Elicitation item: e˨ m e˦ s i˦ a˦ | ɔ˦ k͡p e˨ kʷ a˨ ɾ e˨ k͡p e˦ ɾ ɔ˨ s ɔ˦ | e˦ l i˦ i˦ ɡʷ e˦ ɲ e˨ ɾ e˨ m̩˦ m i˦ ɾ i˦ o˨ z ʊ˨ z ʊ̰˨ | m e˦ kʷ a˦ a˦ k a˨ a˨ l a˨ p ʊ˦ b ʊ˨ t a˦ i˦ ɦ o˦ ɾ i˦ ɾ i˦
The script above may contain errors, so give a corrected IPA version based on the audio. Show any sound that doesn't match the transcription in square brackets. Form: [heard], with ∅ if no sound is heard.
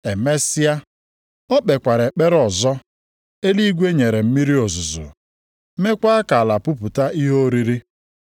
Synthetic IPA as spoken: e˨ m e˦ s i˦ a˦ | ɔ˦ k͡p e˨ kʷ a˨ ɾ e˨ k͡p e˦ ɾ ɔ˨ [z] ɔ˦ | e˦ l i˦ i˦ ɡʷ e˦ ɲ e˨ ɾ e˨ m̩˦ m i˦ ɾ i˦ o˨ z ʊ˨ z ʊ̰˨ | m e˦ kʷ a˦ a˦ k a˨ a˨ l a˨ p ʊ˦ [p] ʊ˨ t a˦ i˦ ɦ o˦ ɾ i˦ ɾ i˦